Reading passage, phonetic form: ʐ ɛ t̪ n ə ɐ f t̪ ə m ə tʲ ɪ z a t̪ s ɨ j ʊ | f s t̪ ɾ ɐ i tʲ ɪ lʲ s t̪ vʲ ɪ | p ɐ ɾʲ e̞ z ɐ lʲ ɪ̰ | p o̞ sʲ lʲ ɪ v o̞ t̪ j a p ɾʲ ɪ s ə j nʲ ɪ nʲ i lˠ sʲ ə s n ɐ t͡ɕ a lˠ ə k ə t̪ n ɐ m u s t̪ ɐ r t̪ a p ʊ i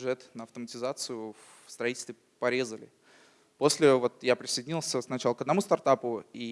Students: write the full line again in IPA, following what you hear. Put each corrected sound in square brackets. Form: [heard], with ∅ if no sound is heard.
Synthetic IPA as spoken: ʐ ɛ t̪ n ə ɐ f t̪ ə m ə tʲ ɪ z a t̪ s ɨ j ʊ | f s t̪ ɾ ɐ i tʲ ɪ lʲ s t̪ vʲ ɪ | p ɐ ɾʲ e̞ z [ə] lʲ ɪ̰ | p o̞ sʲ lʲ ɪ v o̞ t̪ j a p ɾʲ ɪ s ə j [dʲ] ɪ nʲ i lˠ sʲ ə s n ɐ t͡ɕ a lˠ ə k ə [d̪] n ɐ m u s t̪ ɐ r t̪ a p ʊ i

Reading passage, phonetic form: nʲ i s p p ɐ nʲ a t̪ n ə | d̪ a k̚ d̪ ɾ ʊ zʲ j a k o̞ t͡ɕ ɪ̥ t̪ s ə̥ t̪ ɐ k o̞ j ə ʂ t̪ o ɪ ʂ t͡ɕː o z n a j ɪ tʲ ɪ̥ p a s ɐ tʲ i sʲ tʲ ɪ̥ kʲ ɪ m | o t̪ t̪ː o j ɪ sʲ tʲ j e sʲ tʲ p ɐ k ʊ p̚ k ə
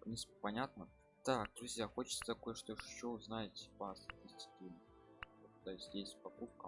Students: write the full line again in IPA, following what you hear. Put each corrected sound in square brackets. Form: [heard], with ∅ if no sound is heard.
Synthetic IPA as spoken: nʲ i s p p ɐ nʲ a t̪ n ə | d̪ a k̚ d̪ ɾ ʊ zʲ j a [x] o̞ t͡ɕ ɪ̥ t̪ s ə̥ t̪ ɐ k o̞ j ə ʂ t̪ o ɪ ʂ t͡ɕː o z n a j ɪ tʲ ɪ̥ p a s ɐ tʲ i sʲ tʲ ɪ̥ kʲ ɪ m | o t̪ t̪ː o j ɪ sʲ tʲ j e sʲ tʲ p ɐ k [u] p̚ k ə

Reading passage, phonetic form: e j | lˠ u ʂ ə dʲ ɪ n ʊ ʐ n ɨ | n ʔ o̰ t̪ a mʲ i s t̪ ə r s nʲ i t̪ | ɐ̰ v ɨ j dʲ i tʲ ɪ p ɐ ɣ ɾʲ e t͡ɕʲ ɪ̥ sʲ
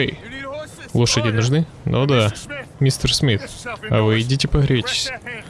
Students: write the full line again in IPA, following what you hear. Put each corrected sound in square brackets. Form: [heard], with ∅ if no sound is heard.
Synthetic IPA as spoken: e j | lˠ [o] ʂ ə dʲ ɪ n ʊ ʐ n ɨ | n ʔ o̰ [d̪] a mʲ i s t̪ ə r s [mʲ] i t̪ | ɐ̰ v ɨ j dʲ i tʲ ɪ p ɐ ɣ ɾʲ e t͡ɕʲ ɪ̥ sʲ

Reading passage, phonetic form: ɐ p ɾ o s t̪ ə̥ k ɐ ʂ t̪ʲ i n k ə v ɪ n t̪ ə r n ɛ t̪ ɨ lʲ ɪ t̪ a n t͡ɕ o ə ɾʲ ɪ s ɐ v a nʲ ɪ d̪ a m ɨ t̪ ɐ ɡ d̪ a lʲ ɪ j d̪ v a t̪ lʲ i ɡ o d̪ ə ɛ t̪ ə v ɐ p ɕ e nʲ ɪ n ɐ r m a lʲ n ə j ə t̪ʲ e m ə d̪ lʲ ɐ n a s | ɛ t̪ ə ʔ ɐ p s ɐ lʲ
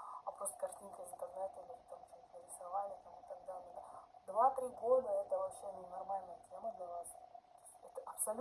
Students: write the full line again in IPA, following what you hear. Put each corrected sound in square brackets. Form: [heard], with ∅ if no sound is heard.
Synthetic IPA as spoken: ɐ p ɾ o s t̪ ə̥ k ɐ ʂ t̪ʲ i n k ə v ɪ n t̪ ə r n ɛ t̪ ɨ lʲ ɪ t̪ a [m] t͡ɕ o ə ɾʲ ɪ s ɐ v a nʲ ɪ [t̪] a m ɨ t̪ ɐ ɡ d̪ a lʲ ɪ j d̪ v a t̪ [ɾʲ] i ɡ o d̪ ə ɛ t̪ ə v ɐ p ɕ e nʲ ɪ n ɐ r m a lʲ n ə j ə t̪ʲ e m ə d̪ lʲ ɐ n a s | ɛ t̪ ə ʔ ɐ p s ɐ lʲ

